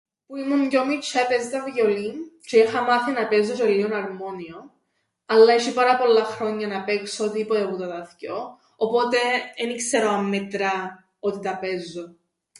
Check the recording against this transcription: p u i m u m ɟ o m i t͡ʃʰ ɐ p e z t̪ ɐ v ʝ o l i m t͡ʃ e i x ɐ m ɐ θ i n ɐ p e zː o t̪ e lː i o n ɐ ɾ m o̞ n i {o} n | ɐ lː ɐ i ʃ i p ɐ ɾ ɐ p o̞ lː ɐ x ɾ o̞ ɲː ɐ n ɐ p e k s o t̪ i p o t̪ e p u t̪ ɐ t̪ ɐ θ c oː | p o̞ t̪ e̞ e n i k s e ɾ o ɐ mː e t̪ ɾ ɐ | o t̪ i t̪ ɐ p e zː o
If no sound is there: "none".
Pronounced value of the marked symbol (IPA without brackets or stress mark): o